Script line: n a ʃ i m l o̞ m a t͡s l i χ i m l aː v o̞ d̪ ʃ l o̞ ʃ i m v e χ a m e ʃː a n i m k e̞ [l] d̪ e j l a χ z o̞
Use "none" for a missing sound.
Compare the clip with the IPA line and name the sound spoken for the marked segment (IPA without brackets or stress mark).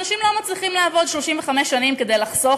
none